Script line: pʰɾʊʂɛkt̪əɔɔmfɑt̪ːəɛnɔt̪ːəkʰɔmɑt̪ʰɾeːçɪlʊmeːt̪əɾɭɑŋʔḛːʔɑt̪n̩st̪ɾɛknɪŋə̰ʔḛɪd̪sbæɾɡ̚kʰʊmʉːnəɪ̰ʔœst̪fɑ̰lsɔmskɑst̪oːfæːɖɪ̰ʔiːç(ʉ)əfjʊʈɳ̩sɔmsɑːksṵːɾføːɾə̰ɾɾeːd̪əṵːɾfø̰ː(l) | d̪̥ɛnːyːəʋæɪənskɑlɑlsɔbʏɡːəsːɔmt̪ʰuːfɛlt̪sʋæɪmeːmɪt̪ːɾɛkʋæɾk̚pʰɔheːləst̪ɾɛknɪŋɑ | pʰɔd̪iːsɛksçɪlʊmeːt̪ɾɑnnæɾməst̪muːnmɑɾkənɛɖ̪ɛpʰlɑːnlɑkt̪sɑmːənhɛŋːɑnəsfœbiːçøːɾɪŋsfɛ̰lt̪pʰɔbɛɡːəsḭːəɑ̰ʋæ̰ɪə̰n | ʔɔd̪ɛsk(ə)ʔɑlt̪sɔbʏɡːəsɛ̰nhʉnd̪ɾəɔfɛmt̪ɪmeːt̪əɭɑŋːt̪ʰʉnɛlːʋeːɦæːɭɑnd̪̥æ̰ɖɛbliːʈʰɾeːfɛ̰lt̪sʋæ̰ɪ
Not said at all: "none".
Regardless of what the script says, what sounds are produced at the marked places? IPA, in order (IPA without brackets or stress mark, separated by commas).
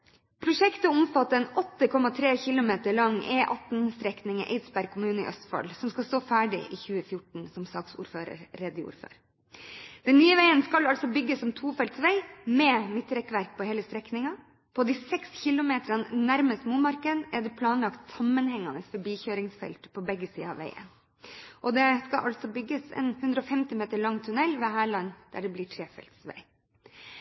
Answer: ʉː, ɾ, ɑ